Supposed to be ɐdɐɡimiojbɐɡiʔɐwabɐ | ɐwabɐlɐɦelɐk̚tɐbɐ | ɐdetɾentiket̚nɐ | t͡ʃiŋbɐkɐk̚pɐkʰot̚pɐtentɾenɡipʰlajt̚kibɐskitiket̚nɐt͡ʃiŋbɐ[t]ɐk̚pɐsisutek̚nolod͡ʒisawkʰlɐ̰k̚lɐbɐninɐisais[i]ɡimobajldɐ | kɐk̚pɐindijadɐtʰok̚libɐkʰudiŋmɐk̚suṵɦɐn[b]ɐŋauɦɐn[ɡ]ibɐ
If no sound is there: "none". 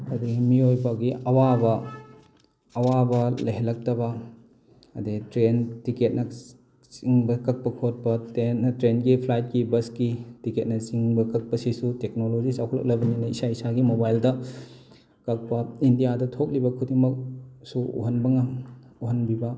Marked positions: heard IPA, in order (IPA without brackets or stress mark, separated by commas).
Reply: k, a, b, b